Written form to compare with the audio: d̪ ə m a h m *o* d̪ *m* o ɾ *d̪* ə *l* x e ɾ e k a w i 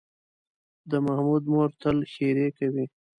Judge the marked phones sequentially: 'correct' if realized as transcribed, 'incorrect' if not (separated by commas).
incorrect, correct, incorrect, correct